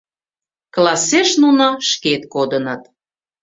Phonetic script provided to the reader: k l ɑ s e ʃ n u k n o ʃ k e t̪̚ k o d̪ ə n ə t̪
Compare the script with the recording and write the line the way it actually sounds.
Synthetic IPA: k l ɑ s e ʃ n u n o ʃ k e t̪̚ k o d̪ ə n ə t̪